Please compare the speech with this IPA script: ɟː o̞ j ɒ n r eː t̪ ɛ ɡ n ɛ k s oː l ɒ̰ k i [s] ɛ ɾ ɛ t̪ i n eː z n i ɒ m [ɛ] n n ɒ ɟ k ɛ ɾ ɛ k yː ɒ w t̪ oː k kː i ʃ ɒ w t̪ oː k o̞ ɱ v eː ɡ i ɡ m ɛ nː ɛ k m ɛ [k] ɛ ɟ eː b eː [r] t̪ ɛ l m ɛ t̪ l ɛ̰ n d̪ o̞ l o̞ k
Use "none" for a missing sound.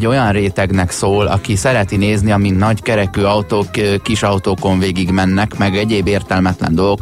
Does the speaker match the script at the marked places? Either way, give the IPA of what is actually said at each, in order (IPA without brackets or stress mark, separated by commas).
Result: s, i, ɡ, r